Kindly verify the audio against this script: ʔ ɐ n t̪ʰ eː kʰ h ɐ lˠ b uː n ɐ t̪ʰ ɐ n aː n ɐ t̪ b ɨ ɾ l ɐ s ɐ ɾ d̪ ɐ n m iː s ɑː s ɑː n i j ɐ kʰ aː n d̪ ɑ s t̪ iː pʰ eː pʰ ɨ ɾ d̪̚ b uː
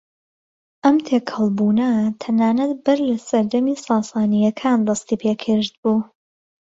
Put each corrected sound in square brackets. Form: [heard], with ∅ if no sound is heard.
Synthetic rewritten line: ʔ ɐ [m] t̪ʰ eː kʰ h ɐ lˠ b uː n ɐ t̪ʰ ɐ n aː n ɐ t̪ b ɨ ɾ l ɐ s ɐ ɾ d̪ ɐ [∅] m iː s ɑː s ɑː n i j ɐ kʰ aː n d̪ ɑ s t̪ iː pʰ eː [kʰ] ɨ ɾ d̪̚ b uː